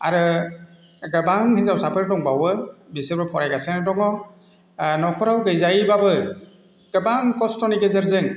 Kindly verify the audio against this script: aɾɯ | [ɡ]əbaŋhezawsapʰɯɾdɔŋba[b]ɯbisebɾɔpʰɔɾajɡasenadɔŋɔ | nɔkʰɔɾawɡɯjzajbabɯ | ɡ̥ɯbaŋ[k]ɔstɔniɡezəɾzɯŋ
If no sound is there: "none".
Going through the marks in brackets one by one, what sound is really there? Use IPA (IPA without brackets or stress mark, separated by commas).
ɡ, w, k